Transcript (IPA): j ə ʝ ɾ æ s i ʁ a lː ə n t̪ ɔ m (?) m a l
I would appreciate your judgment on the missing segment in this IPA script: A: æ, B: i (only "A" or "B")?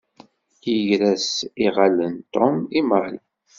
B